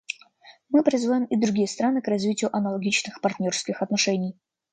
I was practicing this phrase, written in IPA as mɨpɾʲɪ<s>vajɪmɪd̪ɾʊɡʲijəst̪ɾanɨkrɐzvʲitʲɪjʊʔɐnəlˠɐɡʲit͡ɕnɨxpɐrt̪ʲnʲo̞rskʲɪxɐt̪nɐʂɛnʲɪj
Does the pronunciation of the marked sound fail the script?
yes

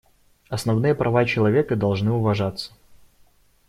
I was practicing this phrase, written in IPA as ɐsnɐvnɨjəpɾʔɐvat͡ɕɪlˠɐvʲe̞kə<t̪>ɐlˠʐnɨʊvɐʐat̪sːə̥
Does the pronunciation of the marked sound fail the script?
yes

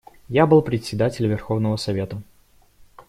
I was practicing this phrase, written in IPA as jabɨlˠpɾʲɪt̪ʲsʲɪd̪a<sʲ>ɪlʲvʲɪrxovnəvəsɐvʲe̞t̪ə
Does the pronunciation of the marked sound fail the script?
yes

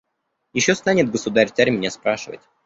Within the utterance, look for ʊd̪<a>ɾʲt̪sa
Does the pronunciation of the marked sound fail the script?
no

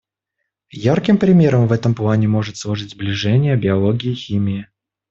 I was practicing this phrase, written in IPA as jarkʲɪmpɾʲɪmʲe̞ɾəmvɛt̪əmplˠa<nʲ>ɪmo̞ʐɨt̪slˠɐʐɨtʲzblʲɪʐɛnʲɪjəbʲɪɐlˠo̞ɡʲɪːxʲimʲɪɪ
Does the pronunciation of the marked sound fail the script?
no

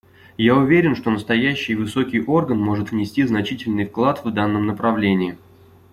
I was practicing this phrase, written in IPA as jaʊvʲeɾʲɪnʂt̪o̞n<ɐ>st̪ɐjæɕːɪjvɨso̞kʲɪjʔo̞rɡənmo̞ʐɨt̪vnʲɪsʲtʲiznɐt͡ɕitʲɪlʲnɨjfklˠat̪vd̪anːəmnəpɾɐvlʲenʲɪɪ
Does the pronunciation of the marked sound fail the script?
yes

